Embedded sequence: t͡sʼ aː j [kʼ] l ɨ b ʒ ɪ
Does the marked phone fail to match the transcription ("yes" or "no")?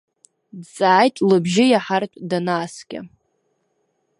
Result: yes